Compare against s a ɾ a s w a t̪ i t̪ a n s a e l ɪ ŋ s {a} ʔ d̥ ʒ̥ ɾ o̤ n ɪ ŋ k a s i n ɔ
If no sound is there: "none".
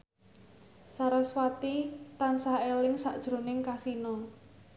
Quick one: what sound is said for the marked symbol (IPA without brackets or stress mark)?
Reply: a